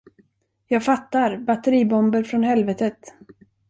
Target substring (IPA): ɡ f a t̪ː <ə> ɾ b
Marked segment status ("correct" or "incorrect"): incorrect